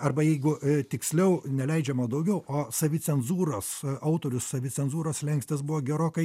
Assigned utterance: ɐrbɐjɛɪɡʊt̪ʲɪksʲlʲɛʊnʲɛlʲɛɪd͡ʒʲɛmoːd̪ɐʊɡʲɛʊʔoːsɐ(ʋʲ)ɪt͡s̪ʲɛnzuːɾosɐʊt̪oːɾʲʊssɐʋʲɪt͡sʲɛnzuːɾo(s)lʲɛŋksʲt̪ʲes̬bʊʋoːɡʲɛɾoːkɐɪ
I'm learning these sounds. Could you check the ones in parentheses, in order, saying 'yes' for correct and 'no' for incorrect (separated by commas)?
yes, yes